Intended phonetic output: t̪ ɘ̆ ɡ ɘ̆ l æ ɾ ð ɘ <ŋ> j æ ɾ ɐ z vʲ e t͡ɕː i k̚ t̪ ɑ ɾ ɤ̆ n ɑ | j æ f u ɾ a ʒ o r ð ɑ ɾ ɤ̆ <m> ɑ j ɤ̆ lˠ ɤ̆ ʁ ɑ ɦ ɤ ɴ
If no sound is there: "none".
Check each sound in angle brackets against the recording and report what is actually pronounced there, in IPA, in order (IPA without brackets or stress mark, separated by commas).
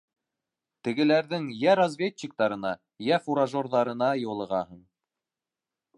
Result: ŋ, n